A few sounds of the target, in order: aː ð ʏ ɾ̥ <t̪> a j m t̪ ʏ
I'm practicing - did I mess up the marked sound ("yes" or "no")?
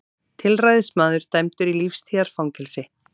no